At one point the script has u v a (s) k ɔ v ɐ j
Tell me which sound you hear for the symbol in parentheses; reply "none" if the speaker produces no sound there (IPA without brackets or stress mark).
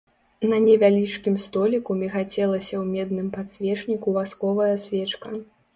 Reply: s